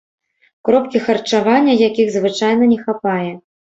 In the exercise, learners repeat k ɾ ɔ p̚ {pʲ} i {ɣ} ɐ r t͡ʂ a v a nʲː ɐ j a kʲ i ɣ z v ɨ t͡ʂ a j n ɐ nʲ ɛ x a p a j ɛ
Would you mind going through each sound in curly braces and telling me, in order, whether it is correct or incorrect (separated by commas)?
incorrect, incorrect